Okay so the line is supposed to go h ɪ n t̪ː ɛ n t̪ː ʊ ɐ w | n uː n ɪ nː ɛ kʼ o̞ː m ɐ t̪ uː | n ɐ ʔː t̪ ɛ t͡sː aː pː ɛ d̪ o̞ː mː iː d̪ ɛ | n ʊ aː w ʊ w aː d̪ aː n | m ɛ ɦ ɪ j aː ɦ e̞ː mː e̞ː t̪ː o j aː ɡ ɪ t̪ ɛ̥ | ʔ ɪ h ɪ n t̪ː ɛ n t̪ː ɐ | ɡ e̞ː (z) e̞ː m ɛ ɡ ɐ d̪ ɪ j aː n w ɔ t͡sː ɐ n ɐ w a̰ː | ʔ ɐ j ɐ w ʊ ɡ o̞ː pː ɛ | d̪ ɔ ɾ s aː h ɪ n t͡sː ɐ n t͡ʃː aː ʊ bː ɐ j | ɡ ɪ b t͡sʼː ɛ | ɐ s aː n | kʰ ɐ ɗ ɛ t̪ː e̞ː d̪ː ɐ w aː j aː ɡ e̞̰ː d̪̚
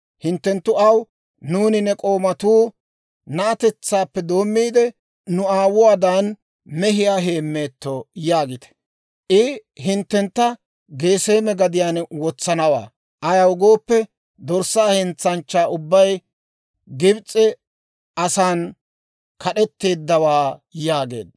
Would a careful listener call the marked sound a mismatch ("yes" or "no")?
yes